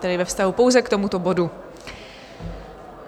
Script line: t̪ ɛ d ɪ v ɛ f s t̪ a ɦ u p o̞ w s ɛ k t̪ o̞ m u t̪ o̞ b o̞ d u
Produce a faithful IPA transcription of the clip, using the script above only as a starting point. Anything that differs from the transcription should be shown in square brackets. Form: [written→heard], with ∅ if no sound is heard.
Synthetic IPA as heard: t̪ ɛ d ɪ v ɛ f s t̪ a ɦ u p o̞ w [s→z] ɛ k t̪ o̞ m u t̪ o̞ b o̞ d u